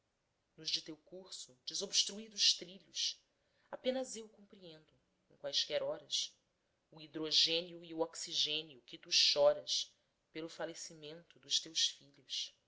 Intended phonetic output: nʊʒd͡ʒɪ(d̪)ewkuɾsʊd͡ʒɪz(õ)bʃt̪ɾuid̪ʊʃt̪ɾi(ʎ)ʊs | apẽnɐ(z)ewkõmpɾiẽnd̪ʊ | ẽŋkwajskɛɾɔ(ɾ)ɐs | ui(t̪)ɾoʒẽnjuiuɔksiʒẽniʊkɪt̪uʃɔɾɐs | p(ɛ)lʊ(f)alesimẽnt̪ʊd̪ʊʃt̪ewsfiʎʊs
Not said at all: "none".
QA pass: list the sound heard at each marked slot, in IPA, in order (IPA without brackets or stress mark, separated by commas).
t̪, o, ʎ, z, ɾ, d̪, e, f